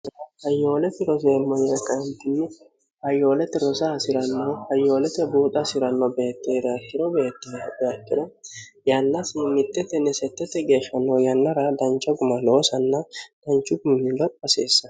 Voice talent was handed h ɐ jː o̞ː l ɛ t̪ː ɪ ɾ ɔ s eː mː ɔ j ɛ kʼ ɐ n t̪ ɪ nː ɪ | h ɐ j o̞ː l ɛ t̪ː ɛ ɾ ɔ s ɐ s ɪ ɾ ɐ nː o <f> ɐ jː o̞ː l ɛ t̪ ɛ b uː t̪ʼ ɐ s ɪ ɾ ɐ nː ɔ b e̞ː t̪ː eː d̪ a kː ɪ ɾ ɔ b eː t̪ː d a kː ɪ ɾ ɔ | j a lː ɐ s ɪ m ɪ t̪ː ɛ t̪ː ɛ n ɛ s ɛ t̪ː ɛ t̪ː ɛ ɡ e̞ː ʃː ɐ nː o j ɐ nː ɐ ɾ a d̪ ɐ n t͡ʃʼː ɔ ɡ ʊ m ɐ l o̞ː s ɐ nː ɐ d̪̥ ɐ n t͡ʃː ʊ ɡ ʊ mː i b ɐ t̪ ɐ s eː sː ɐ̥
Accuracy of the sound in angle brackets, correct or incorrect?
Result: incorrect: h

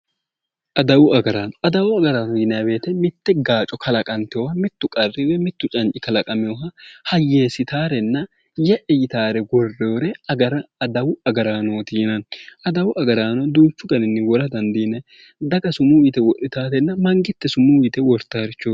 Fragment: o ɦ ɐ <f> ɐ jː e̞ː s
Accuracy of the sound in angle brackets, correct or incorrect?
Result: incorrect: h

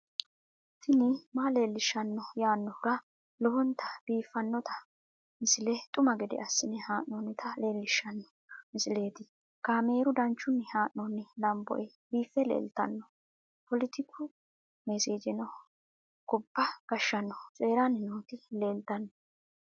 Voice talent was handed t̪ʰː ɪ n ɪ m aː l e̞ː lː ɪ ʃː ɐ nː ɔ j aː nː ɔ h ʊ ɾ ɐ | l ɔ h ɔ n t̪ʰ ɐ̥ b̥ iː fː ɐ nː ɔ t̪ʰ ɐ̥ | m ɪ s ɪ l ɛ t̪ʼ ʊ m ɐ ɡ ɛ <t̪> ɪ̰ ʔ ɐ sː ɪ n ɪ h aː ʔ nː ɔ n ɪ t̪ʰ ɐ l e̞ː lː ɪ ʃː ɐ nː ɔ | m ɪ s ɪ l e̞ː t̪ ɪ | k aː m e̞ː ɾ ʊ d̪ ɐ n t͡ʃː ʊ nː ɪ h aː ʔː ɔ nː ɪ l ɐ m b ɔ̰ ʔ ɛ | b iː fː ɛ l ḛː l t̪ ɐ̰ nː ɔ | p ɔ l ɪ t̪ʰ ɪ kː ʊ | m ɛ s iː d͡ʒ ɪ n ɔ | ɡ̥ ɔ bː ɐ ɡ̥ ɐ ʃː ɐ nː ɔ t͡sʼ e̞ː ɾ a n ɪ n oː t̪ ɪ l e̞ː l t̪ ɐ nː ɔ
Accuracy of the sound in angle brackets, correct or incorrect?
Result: incorrect: d̪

